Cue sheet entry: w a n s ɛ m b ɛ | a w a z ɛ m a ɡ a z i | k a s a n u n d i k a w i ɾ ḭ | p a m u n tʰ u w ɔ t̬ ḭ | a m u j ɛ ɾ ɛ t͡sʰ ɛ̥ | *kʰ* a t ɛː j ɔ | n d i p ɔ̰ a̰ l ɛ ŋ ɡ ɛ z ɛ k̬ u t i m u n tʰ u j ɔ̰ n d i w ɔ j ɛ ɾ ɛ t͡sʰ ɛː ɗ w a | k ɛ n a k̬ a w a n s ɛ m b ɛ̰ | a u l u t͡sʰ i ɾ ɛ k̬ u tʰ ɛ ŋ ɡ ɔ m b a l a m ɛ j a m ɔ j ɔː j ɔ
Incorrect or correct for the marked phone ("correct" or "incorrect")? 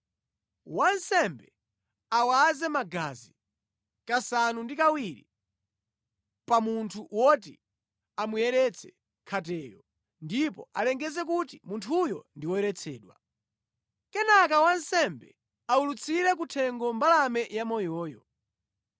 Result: correct